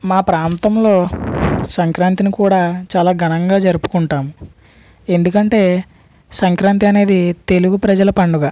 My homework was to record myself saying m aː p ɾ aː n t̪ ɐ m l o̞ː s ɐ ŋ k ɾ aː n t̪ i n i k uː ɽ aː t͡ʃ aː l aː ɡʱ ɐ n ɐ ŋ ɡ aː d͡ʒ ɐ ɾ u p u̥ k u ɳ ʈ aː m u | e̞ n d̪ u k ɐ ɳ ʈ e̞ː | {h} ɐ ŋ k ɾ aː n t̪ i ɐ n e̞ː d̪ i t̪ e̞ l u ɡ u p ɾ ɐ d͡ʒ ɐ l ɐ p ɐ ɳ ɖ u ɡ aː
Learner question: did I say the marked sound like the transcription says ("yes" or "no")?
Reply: no